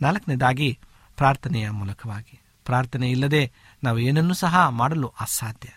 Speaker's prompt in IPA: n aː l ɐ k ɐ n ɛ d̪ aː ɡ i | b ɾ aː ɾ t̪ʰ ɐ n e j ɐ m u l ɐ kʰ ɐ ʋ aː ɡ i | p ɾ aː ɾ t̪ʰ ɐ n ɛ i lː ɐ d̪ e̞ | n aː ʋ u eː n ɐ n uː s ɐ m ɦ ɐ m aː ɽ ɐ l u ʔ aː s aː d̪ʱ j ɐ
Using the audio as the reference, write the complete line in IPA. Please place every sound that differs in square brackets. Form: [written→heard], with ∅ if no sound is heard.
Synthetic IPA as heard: n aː l ɐ k ɐ n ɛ d̪ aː ɡ i | [b→p] ɾ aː ɾ t̪ʰ ɐ n [e→ɛ] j ɐ m [u→uː] l ɐ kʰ ɐ ʋ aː ɡ i | p ɾ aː ɾ t̪ʰ ɐ n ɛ i lː ɐ d̪ e̞ | n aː ʋ u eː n ɐ [n→nː] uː s ɐ [m→∅] ɦ ɐ m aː ɽ ɐ l u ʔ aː s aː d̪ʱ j ɐ